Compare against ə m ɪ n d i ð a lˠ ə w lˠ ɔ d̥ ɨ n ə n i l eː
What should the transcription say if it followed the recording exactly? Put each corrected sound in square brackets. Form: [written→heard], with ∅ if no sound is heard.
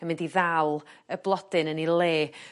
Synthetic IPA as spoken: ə m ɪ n d i ð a lˠ ə [w→b] lˠ ɔ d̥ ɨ n ə n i l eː